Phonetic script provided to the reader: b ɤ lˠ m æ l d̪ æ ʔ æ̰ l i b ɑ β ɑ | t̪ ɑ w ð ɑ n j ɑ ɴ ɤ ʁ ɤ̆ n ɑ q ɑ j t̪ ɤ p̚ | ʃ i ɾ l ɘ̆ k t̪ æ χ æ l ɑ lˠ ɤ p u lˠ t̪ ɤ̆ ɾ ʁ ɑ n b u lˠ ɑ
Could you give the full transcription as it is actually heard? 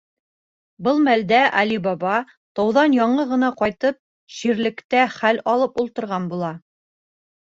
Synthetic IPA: b ɤ lˠ m æ l d̪ æ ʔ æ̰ l i b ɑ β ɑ | t̪ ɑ w ð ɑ n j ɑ ɴ ɤ ʁ ɤ̆ n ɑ q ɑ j t̪ ɤ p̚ | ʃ i ɾ l ɘ̆ k t̪ æ χ æ l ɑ lˠ ɤ p u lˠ t̪ ɤ̆ ɾ ʁ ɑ n b u lˠ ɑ